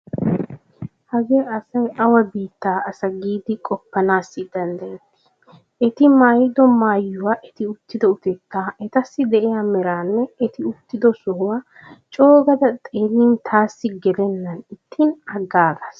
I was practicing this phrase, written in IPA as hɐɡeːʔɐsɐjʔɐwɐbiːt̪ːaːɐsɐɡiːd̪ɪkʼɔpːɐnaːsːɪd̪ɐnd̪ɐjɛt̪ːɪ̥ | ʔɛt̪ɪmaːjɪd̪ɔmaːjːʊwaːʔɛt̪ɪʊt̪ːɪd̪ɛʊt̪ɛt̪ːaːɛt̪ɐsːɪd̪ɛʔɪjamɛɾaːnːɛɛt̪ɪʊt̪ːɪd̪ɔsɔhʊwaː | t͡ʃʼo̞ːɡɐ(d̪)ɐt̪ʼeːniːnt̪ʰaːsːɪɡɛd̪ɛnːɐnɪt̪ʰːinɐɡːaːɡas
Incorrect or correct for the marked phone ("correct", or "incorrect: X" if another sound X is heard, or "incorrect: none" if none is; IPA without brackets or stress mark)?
correct